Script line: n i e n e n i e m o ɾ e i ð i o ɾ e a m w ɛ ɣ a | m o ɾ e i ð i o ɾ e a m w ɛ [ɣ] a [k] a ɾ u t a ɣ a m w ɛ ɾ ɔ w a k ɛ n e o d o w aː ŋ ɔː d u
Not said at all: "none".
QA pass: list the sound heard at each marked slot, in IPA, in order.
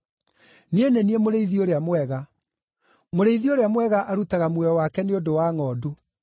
ɣ, ʔ

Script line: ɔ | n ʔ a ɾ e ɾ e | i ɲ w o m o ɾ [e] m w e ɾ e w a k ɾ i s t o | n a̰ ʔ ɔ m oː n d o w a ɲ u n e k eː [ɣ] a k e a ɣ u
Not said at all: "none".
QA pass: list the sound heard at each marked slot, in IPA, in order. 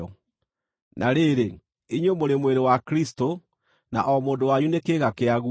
e, ɣ

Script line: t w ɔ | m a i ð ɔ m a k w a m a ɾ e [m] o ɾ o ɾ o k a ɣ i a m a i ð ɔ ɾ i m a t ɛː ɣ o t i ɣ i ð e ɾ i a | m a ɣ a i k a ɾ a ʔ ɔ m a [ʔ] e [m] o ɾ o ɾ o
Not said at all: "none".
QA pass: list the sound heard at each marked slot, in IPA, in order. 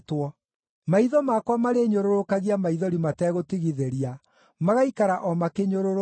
ɲ, k, ɲ

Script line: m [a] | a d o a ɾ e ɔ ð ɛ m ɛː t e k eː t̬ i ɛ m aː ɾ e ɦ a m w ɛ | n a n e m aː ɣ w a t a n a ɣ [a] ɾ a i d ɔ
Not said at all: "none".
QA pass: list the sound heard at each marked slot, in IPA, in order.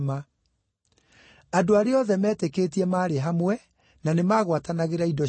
a, e

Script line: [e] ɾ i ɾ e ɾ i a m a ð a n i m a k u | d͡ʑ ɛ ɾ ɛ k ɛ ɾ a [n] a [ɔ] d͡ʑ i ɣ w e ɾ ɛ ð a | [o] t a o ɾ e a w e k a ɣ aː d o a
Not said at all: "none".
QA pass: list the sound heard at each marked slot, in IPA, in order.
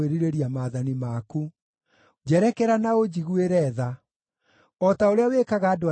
e, n, o, ɔ

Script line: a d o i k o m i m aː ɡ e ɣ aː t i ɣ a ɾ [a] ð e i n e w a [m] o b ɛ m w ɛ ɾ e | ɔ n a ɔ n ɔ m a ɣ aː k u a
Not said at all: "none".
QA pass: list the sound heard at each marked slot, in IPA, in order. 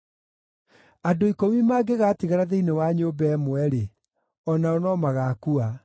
a, ɲ

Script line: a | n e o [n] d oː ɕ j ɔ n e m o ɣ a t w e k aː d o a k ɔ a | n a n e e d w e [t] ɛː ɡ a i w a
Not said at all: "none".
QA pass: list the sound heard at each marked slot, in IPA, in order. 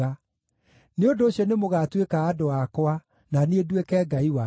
n, k

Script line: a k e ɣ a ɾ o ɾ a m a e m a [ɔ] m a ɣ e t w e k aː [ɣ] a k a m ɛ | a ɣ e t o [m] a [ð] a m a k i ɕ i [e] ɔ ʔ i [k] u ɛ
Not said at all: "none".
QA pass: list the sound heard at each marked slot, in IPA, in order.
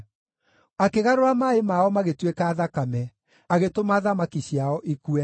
ɔ, ð, m, ð, a, k

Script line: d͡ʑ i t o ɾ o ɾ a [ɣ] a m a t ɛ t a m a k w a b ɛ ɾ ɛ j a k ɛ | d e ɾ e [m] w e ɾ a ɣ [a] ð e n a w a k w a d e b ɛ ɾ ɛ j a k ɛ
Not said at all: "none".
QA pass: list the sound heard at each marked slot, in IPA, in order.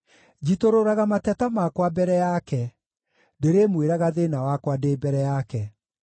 ɣ, m, a

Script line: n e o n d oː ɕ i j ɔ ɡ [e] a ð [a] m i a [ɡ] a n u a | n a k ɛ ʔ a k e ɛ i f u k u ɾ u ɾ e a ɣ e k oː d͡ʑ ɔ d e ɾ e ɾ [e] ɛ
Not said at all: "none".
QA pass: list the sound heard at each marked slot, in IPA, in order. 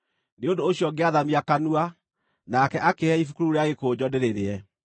e, a, k, e

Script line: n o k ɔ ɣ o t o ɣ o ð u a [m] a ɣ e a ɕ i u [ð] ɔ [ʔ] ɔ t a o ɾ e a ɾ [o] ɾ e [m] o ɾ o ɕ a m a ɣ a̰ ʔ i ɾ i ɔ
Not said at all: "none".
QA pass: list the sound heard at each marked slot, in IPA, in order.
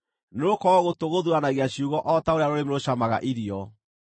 n, ɣ, ʔ, o, m

